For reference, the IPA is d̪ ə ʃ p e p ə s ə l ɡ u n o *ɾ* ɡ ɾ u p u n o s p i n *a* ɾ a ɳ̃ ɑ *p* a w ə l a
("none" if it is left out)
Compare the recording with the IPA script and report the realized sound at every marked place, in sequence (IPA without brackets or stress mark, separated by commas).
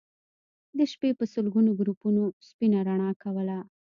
none, a, k